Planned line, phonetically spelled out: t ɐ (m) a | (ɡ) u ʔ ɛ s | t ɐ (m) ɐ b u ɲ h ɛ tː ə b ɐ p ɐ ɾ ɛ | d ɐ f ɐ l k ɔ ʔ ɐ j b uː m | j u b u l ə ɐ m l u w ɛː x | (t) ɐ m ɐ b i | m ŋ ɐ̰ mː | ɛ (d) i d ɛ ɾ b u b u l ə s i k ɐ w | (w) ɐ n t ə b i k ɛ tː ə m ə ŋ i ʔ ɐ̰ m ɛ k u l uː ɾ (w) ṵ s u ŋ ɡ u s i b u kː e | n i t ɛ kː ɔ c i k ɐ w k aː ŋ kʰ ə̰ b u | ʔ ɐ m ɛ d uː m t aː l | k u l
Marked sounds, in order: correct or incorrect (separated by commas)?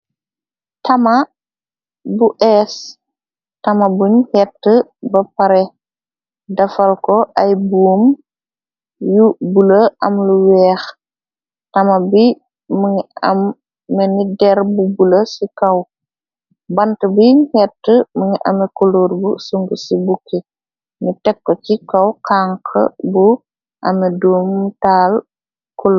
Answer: correct, incorrect, correct, correct, incorrect, incorrect, incorrect